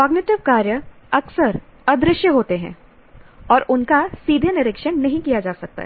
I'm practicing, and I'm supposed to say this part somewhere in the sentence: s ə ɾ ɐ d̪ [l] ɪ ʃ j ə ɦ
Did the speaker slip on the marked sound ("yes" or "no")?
yes